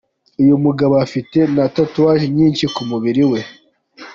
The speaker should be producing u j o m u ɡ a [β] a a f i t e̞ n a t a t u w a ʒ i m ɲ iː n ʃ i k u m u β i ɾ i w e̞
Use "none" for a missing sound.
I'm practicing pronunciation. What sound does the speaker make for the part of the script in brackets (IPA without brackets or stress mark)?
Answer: β